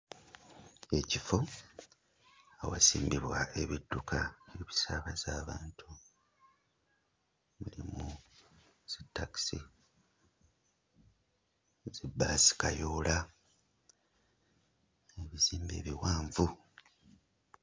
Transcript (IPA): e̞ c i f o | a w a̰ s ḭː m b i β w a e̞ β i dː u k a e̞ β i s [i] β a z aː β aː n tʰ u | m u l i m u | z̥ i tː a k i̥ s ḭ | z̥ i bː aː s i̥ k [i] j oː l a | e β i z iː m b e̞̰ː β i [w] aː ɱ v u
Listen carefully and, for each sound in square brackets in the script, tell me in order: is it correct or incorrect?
incorrect, incorrect, correct

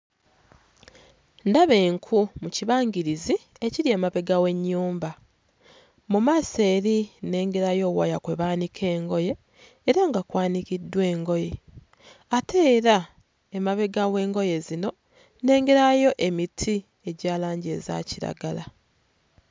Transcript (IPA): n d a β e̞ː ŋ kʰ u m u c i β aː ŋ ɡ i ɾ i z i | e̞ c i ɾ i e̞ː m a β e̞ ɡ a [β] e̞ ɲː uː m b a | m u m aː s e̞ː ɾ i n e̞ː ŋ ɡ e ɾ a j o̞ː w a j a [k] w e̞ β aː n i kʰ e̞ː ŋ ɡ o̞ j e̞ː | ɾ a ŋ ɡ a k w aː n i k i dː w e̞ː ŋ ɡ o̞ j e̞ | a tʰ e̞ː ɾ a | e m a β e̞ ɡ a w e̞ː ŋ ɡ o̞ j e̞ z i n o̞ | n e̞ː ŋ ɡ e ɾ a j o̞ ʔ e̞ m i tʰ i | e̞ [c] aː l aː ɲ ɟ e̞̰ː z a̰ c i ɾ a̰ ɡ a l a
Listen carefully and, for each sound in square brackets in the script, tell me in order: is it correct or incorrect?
incorrect, correct, incorrect

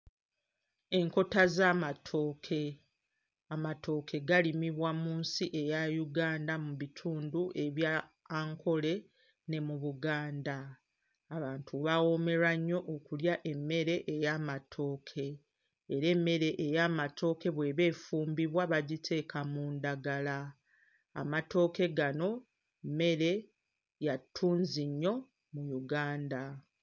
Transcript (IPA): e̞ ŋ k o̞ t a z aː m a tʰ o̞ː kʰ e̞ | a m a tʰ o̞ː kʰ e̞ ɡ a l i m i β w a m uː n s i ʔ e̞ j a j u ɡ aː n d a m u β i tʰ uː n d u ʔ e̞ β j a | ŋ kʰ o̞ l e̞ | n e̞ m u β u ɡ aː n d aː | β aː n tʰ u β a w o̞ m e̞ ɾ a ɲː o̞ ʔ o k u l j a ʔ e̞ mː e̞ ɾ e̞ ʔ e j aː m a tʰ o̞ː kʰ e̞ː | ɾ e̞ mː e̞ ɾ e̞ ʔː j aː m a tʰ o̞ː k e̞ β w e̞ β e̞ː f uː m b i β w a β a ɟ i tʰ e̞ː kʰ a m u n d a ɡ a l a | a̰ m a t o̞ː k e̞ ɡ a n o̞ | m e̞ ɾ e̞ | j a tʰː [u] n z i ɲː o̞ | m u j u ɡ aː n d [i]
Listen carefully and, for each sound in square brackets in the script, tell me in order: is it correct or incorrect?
incorrect, incorrect

